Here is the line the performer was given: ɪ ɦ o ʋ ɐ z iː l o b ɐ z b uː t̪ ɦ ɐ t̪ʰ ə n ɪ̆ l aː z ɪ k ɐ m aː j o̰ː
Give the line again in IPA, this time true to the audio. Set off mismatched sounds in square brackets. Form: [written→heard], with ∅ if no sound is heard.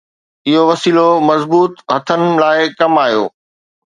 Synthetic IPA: ɪ ɦ o ʋ ɐ [z→s] iː l o [b→m] ɐ z b uː t̪ ɦ ɐ t̪ʰ ə n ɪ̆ l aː [z→∅] ɪ k ɐ m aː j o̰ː